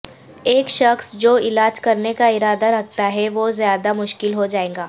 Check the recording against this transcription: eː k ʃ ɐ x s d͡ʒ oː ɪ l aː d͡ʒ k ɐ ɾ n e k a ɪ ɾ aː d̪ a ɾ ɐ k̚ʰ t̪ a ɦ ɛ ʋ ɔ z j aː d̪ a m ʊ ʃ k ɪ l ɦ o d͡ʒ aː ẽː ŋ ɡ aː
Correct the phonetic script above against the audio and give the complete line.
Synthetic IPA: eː k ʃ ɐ x s d͡ʒ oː ɪ l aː d͡ʒ k ɐ ɾ n e k a ɪ ɾ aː d̪ a ɾ ɐ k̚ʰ t̪ a ɦ ɛ ʋ o z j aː d̪ a m ʊ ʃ k ɪ l ɦ o d͡ʒ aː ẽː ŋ ɡ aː

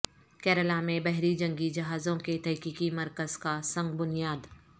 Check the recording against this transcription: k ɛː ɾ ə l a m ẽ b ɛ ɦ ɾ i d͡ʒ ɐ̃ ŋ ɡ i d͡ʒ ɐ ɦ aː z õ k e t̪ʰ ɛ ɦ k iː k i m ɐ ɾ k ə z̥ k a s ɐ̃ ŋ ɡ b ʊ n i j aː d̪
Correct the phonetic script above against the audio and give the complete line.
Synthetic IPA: k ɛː ɾ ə l a m ẽ b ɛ ɦ ɾ i d͡ʒ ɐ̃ ŋ ɡ i d͡ʒ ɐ ɦ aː z õ k e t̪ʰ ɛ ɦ k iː k i m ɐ ɾ k ə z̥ k a s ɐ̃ ŋ ɡ b ʊ n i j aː d̪

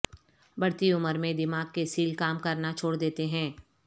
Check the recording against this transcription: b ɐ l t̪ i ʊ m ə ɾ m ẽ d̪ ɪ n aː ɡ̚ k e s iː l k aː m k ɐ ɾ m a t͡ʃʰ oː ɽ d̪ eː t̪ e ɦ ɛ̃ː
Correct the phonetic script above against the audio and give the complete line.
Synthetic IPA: b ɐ ɽ t̪ i ʊ m ə ɾ m ẽ d̪ ɪ m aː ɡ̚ k e s iː l k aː m k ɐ ɾ n a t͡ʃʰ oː ɽ d̪ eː t̪ e ɦ ɛ̃ː

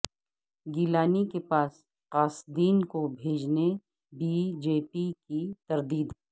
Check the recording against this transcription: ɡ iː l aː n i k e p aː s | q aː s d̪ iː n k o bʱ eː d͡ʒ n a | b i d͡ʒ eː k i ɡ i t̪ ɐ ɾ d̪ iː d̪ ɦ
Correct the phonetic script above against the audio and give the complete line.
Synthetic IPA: ɡ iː l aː n i k e p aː s | q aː s d̪ iː n k o bʱ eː d͡ʒ n e | b i d͡ʒ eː p i k i t̪ ɐ ɾ d̪ iː d̪ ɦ

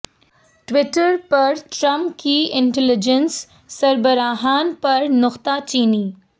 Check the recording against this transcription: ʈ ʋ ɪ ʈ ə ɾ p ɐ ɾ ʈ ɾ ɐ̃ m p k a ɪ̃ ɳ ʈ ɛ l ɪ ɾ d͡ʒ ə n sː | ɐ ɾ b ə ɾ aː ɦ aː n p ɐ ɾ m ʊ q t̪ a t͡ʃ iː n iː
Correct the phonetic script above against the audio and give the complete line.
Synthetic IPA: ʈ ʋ ɪ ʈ ə ɾ p ɐ ɾ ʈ ɾ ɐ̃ m p k i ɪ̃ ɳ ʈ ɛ l ɪ d͡ʒ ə n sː | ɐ ɾ b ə ɾ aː ɦ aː n p ɐ ɾ n ʊ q t̪ a t͡ʃ iː n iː

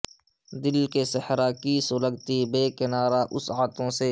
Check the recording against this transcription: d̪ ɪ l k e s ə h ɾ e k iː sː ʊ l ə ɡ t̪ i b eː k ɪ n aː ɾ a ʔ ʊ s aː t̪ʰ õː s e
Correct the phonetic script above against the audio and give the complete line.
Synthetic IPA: d̪ ɪ l k e s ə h ɾ a k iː s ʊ l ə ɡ t̪ i b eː k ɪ n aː ɾ a ʔ ʊ s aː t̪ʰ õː s e

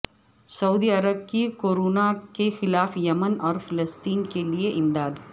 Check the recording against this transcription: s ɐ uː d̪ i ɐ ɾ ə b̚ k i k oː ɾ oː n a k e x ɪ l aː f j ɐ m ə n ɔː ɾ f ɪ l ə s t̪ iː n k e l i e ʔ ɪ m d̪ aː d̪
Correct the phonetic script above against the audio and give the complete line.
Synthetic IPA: s ɐ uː d̪ i ɐ ɾ ə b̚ k i k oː ɾ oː n a k e x ɪ l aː f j ɐ m ə n ɔː ɾ f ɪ l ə s t̪ iː n k e l i e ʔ ɪ m d̪ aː d̪

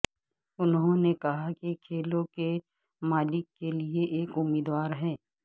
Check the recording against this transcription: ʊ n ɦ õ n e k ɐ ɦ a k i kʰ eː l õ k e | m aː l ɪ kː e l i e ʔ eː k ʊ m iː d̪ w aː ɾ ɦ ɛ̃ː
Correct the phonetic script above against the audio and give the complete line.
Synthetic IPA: ʊ n ɦ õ n e k ɐ ɦ a k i kʰ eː l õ k e | m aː l ɪ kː e l i e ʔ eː k ʊ m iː d̪ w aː ɾ ɦ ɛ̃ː

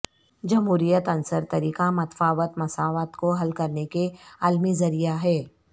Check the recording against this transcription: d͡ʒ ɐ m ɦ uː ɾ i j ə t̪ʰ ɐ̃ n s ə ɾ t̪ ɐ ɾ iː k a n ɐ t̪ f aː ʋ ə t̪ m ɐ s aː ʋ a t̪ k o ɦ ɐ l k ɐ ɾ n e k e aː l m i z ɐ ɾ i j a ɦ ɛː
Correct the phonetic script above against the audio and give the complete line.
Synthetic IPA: d͡ʒ ɐ m ɦ uː ɾ i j ə t̪ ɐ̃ n s ə ɾ t̪ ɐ ɾ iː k a m ɐ t̪ f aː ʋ ə t̪ m ɐ s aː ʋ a t̪ k o ɦ ɐ l k ɐ ɾ n e k e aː l m i z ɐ ɾ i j a ɦ ɛː

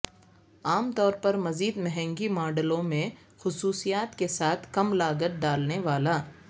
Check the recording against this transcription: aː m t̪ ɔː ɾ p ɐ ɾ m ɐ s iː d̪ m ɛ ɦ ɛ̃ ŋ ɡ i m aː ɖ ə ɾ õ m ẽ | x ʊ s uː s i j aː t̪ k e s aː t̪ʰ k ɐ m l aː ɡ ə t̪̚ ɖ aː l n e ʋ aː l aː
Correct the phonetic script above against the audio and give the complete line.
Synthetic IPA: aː m t̪ ɔː ɾ p ɐ ɾ m ɐ z iː d̪ m ɛ ɦ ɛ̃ ŋ ɡ i m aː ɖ ə l õ m ẽ | x ʊ s uː s i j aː t̪ k e s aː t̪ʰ k ɐ m l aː ɡ ə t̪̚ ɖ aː l n e ʋ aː l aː

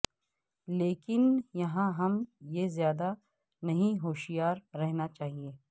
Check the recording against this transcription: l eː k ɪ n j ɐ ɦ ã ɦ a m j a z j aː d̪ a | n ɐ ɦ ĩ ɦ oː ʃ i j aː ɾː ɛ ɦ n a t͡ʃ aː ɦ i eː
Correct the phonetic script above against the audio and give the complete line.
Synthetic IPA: l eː k ɪ n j ɐ ɦ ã ɦ ɐ m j e z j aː d̪ a | n ɐ ɦ ĩ ɦ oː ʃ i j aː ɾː ɛ ɦ n a t͡ʃ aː ɦ i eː

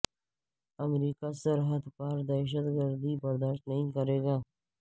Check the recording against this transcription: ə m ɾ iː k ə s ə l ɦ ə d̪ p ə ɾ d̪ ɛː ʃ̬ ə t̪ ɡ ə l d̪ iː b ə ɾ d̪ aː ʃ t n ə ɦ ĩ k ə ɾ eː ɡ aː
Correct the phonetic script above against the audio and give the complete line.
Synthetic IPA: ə m ɾ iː k a s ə ɾ ɦ ə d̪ p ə ɾ d̪ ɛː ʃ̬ ə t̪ ɡ ə ɾ d̪ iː b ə ɾ d̪ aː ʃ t n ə ɦ ĩ k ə ɾ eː ɡ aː

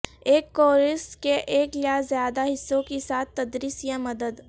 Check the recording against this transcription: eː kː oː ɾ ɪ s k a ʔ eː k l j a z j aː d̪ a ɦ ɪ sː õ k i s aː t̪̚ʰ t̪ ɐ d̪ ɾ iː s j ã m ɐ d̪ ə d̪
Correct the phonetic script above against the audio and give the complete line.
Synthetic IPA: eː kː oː ɾ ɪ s k e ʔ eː k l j a z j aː d̪ a ɦ ɪ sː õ k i s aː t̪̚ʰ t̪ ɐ d̪ ɾ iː s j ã m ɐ d̪ ə d̪

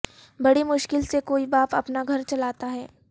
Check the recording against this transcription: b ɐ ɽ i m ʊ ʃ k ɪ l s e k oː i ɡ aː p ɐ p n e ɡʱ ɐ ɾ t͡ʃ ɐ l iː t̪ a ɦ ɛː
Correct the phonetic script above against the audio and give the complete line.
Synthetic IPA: b ɐ ɽ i m ʊ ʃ k ɪ l s e k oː i b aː p ɐ p n a ɡʱ ɐ ɾ t͡ʃ ɐ l aː t̪ a ɦ ɛː

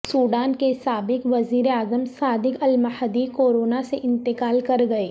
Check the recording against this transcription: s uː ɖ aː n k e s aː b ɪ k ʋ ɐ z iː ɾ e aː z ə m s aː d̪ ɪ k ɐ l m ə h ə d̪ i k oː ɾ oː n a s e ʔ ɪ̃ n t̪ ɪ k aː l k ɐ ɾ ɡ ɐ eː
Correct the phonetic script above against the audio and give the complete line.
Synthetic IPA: s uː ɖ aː n k e s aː b ɪ k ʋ ɐ z iː ɾ e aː z ə m s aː d̪ ɪ k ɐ l m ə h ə d̪ i k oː ɾ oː n a s e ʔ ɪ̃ n t̪ ɪ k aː l k ɐ ɾ ɡ ɐ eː

